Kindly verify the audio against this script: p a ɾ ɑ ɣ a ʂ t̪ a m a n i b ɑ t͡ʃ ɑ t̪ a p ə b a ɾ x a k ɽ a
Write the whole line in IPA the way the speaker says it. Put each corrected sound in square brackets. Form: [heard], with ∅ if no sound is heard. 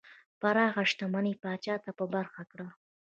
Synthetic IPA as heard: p a ɾ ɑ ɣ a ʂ t̪ a m a n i [p] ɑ t͡ʃ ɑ t̪ a p ə b a ɾ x a k ɽ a